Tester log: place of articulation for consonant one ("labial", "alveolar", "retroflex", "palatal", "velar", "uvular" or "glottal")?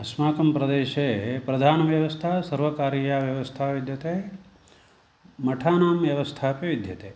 alveolar